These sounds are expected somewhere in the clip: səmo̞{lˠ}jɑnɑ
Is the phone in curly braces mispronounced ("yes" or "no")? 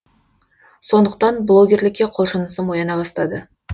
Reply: yes